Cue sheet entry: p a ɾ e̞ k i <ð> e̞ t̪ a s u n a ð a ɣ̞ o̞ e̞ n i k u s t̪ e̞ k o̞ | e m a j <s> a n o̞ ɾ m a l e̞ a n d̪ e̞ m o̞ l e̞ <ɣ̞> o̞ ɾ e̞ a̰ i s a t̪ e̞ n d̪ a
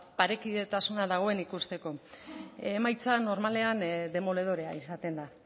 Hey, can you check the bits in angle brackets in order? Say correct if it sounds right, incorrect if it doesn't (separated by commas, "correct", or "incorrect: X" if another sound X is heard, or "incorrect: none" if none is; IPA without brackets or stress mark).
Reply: correct, incorrect: t͡s, incorrect: ð̞